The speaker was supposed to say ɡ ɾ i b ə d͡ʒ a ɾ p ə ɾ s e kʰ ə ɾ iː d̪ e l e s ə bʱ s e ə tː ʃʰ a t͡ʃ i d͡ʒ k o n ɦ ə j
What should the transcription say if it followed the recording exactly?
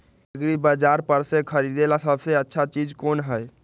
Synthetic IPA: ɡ ɾ i b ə d͡ʒ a ɾ p ə ɾ s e kʰ ə ɾ i d̪ e l a s ə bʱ s e ə tː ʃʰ a t͡ʃ i d͡ʒ k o n ɦ ə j